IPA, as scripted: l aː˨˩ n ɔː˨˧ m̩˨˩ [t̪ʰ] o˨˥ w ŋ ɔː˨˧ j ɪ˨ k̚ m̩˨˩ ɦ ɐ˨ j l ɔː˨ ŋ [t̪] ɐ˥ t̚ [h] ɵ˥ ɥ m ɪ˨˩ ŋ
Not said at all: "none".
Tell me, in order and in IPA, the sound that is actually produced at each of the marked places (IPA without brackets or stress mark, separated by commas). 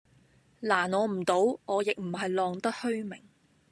t̪, t̪, h